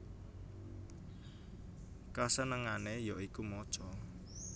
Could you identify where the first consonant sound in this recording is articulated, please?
velar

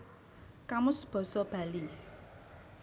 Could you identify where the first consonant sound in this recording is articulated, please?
velar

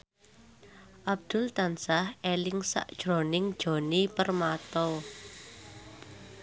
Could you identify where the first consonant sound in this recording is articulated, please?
glottal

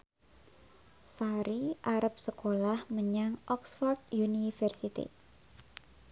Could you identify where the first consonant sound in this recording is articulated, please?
alveolar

